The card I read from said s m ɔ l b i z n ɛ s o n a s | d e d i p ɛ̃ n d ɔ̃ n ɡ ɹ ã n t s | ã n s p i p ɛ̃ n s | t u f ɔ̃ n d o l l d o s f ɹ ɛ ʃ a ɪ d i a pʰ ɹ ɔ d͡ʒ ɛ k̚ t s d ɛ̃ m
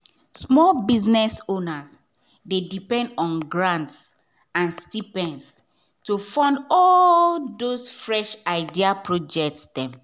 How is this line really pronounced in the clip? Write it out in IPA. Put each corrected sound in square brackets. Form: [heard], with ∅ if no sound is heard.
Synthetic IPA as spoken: s m ɔ l b i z n ɛ s o n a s | d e d i p ɛ̃ n d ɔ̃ n ɡ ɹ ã n t s | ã n s [t] i p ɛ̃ n s | t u f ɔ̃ n d [ɔ] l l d o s f ɹ ɛ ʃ a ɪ d i a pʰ ɹ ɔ d͡ʒ ɛ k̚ t s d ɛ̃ m